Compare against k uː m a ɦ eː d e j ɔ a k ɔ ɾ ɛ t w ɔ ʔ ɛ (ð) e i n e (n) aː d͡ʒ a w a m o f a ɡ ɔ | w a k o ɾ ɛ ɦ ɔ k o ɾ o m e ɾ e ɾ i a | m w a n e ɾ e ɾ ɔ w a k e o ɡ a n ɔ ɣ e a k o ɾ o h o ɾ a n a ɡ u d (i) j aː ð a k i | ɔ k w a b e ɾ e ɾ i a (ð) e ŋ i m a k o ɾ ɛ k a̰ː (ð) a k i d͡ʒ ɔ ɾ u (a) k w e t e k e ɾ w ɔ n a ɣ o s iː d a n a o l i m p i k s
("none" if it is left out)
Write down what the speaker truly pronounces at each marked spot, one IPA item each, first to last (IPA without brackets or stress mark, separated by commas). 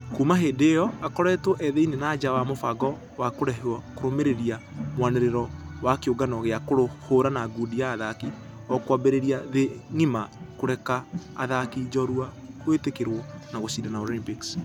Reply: ð, n, i, ð, ð, a